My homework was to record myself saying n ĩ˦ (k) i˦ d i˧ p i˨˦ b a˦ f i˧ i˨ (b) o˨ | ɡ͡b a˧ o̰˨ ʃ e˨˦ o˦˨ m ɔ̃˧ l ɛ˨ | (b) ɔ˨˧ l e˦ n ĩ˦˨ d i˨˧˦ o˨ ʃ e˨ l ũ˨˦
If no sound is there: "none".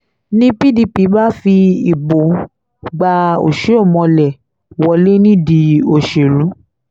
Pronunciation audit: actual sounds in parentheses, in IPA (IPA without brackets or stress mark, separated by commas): p, b, w